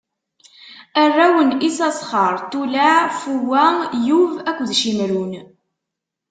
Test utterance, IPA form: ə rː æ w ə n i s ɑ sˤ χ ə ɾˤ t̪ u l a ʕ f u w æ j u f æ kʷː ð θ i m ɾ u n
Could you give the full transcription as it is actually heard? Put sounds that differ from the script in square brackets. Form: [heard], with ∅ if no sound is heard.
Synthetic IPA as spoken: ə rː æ w ə n i s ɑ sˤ χ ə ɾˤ t̪ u l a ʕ f u w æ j u [v] æ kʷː ð [ʃ] i m ɾ u n